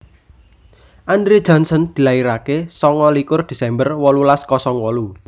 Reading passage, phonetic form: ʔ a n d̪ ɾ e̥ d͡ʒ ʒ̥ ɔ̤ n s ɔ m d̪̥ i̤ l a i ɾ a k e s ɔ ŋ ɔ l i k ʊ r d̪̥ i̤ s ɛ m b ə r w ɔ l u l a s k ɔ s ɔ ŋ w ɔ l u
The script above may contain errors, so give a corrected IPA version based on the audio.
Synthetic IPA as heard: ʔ a n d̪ ɾ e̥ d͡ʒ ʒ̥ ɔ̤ n s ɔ n d̪̥ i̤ l a i ɾ a k e s ɔ ŋ ɔ l i k ʊ r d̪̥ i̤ s ɛ m b ə r w ɔ l u l a s k ɔ s ɔ ŋ w ɔ l u